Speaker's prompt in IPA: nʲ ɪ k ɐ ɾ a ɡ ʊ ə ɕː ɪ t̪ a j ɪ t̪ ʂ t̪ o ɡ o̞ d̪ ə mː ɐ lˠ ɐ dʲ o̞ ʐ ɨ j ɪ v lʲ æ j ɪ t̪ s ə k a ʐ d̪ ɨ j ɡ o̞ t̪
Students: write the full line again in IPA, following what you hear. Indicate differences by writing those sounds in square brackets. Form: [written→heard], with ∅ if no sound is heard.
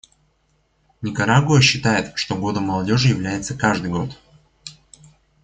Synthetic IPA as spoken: nʲ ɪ k ɐ ɾ a ɡ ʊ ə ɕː ɪ t̪ a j ɪ t̪ ʂ t̪ o ɡ o̞ d̪ ə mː ɐ lˠ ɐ dʲ o̞ ʐ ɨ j ɪ v lʲ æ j ɪ t̪ s ə k a ʐ d̪ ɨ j ɡ o̞ t̪